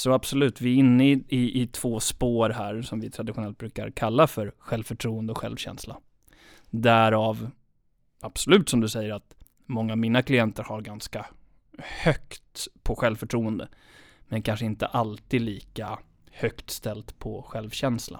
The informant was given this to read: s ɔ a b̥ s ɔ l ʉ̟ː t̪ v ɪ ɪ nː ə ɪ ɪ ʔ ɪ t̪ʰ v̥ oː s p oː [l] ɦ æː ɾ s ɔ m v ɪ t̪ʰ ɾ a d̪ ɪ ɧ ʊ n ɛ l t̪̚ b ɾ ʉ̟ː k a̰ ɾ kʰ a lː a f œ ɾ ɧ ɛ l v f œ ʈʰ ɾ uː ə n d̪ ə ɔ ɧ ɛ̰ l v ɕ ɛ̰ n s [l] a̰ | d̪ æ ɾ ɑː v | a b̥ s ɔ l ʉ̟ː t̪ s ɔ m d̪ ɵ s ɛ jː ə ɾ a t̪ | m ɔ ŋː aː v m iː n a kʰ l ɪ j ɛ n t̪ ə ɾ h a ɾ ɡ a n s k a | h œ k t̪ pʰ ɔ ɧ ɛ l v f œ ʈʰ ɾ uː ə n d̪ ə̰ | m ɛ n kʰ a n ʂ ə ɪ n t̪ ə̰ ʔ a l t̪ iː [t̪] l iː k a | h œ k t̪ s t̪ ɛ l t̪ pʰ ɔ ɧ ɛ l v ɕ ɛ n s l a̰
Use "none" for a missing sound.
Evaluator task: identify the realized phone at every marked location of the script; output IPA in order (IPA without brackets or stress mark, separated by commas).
ɾ, l, d̪